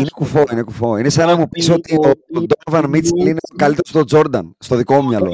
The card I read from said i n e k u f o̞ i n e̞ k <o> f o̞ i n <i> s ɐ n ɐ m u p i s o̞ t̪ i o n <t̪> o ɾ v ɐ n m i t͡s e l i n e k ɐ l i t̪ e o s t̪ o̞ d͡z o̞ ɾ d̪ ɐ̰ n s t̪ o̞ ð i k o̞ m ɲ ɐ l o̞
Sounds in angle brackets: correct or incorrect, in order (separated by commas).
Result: incorrect, incorrect, incorrect